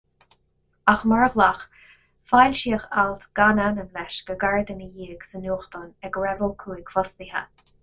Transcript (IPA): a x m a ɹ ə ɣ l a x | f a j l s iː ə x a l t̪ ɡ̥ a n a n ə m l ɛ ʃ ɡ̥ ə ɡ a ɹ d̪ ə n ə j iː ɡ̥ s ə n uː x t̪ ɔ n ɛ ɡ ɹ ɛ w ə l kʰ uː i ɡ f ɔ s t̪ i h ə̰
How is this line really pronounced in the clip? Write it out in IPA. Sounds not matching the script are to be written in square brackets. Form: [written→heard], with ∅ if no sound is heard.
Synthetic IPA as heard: a x m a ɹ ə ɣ l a x | f a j l [s→ʃ] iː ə x a l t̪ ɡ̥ a n a n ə m l ɛ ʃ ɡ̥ ə ɡ a ɹ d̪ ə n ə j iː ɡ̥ s ə n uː x t̪ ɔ n ɛ ɡ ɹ ɛ [w→v] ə l kʰ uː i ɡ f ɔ s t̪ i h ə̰